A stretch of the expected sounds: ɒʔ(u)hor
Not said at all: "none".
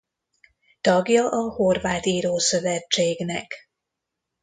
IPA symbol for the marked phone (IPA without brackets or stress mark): ɒ